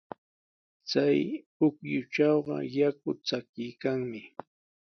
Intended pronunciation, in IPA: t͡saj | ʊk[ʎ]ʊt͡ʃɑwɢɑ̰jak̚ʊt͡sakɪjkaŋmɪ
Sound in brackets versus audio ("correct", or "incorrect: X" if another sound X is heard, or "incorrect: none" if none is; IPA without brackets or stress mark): incorrect: j